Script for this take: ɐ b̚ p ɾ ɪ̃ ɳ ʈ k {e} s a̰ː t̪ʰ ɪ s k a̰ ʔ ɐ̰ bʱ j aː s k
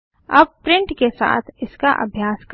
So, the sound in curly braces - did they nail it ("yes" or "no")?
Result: yes